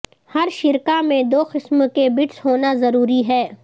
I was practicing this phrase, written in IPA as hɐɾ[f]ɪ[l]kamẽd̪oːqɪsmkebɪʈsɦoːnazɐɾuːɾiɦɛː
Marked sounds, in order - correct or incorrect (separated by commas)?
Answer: incorrect, incorrect